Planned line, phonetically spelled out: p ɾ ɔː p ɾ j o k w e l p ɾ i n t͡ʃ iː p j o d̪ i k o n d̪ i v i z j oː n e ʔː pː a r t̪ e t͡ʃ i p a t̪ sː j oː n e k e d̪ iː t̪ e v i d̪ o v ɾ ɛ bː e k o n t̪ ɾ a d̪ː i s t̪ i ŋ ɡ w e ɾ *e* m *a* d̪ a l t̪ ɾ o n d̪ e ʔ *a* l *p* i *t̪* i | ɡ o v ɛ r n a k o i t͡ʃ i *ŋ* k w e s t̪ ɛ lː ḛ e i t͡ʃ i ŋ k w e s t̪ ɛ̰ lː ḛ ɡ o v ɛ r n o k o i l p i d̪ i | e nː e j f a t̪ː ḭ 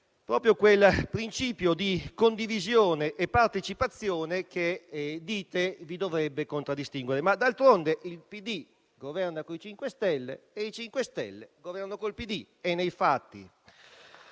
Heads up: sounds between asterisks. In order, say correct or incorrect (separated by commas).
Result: correct, correct, incorrect, correct, incorrect, correct